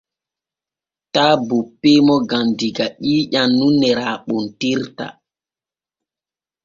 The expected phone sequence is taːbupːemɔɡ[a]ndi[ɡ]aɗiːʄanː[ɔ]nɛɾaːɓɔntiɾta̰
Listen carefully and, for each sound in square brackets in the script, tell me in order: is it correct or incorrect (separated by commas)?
correct, correct, incorrect